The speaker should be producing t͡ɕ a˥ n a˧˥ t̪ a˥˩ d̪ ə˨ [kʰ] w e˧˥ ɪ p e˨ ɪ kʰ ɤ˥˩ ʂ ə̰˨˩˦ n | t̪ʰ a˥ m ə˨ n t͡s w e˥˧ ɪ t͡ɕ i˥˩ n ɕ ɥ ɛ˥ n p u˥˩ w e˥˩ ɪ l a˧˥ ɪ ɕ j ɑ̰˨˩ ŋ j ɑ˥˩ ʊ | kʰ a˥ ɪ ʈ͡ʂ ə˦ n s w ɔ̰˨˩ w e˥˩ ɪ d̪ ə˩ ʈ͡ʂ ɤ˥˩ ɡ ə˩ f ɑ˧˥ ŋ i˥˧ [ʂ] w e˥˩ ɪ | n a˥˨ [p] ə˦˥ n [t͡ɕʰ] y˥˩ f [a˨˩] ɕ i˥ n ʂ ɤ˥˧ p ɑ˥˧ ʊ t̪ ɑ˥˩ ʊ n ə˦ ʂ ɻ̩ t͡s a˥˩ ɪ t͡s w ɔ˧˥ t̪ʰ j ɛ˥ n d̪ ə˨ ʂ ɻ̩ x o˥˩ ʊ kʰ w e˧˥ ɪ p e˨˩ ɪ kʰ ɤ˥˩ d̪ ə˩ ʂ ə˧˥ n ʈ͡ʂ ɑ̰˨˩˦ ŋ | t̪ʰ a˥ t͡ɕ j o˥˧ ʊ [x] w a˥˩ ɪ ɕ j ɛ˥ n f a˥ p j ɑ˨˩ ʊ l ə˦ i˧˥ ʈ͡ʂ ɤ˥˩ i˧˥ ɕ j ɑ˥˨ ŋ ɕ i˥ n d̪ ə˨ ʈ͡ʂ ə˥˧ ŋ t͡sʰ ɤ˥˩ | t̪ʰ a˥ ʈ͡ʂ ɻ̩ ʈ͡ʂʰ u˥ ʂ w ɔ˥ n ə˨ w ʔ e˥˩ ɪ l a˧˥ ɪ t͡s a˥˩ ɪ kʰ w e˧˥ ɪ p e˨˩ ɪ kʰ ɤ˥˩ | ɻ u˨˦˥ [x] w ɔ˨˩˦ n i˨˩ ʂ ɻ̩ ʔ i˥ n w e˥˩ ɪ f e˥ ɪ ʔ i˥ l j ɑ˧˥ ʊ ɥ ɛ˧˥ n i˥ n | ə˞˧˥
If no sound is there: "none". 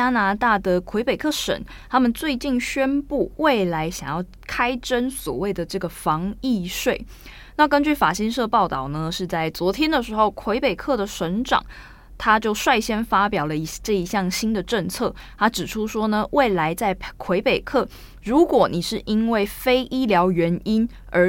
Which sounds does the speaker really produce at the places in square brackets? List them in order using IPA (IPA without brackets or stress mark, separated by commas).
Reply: kʰ, ʂ, k, t͡ɕ, a˨˩, ʂ, k